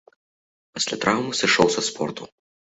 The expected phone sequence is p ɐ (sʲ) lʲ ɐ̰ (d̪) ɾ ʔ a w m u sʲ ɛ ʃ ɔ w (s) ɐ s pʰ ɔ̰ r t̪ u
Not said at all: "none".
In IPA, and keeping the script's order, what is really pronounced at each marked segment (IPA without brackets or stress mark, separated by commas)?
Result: sʲ, t̪, s